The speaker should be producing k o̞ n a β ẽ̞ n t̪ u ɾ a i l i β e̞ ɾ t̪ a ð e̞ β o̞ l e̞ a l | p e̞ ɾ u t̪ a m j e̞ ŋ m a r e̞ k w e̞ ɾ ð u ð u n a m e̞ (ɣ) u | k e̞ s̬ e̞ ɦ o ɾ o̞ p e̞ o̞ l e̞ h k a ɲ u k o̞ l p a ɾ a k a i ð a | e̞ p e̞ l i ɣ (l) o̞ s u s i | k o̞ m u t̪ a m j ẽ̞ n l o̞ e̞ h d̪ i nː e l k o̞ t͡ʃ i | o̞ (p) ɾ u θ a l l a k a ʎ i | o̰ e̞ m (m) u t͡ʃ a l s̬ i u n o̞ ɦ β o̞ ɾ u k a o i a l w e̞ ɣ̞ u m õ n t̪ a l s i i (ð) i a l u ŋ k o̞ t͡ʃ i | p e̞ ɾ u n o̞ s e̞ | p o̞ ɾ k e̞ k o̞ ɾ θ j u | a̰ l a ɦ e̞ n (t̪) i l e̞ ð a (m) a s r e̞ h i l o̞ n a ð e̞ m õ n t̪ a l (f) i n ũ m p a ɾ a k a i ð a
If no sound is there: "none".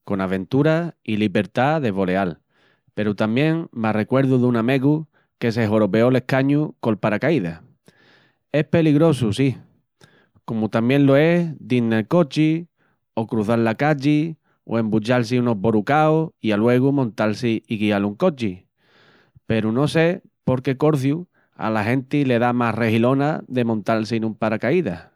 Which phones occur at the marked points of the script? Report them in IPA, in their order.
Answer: ɣ, ɾ, k, b, ɣ, t̪, m, s

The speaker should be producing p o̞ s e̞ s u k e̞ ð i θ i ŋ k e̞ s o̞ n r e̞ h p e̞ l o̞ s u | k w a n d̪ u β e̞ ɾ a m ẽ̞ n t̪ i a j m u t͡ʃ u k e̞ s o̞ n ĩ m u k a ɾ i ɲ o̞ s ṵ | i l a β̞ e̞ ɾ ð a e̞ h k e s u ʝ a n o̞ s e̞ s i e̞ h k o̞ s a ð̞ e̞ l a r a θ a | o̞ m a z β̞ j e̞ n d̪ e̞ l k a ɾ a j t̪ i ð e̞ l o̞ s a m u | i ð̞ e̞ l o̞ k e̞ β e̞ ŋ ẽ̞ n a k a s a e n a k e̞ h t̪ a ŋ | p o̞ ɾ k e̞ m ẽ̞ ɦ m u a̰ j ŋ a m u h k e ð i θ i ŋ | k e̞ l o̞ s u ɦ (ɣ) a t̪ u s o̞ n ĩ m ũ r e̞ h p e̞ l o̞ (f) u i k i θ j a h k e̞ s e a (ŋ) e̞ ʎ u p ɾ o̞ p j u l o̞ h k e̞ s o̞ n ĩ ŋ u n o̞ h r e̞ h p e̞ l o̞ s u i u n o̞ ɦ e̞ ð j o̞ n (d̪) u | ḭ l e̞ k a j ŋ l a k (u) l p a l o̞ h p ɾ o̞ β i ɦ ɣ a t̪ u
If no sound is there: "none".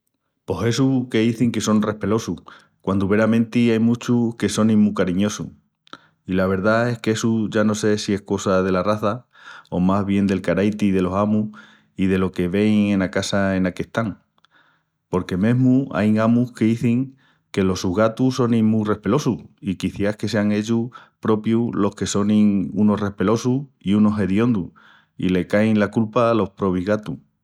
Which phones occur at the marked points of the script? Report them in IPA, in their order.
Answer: ɣ, s, ŋ, d̪, u

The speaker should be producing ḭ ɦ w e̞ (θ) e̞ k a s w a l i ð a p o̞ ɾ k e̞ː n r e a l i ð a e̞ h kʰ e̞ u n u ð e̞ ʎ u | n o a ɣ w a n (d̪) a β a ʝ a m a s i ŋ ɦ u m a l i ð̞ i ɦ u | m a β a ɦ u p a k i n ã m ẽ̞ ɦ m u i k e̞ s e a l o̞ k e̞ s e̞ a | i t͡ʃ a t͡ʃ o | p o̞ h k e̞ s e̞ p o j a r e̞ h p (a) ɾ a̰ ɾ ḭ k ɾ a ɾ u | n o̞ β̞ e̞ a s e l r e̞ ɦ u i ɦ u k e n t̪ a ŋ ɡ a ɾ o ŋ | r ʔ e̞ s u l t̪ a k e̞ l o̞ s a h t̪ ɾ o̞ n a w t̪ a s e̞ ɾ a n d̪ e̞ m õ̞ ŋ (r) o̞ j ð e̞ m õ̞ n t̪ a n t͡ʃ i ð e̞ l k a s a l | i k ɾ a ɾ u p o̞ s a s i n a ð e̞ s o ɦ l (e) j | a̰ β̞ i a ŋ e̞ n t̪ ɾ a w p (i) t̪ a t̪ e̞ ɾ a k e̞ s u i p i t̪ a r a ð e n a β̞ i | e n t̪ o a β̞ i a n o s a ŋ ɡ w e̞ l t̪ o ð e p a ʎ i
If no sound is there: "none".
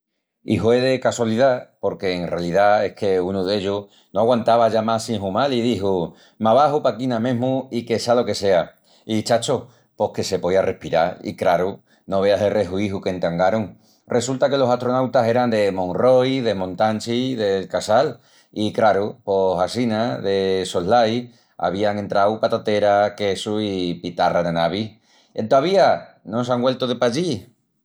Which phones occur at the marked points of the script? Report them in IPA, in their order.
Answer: ð, t̪, i, r, a, a

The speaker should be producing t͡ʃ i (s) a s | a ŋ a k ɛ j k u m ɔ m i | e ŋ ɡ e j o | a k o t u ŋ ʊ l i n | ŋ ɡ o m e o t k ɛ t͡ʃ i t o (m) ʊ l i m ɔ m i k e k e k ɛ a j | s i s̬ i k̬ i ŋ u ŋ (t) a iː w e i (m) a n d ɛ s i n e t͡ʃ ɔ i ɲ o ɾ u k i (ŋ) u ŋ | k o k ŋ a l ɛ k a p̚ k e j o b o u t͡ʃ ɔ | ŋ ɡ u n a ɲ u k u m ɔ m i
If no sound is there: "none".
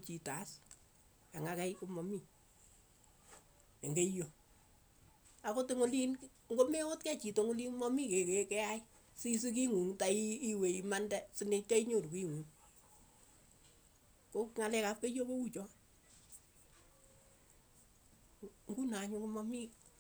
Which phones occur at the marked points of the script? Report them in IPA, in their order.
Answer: t, ŋ, t, m, ŋ

